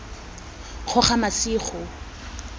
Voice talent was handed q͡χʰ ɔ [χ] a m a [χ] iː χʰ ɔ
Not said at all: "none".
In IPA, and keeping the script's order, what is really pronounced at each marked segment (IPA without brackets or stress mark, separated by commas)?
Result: χ, s